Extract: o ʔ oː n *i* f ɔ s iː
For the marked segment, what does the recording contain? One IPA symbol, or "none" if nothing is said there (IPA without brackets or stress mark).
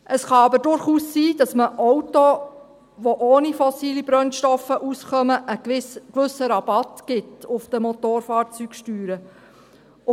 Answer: i